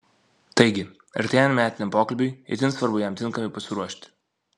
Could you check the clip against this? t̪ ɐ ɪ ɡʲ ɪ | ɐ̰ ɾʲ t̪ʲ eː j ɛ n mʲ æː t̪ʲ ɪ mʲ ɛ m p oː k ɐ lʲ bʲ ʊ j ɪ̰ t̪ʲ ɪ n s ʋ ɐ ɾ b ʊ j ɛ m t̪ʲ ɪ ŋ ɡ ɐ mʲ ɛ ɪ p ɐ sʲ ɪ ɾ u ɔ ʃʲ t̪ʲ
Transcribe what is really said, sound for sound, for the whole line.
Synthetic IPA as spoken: t̪ ɐ ɪ ɡʲ ɪ | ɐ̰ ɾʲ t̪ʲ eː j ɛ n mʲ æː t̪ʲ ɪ nʲ ɛ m p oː k ɐ lʲ bʲ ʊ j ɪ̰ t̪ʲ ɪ n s ʋ ɐ ɾ b ʊ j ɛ m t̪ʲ ɪ ŋ k ɐ mʲ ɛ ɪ p ɐ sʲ ɪ ɾ u ɔ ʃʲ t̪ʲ